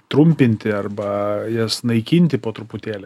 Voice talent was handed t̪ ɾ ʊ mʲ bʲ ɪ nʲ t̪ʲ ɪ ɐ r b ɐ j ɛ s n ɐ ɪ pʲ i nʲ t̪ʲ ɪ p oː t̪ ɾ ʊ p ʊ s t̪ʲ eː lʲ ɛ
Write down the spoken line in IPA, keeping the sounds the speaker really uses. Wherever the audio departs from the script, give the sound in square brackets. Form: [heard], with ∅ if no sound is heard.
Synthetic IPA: t̪ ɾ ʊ mʲ [pʲ] ɪ nʲ t̪ʲ ɪ ɐ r b ɐ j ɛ s n ɐ ɪ [kʲ] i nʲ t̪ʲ ɪ p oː t̪ ɾ ʊ p ʊ [∅] t̪ʲ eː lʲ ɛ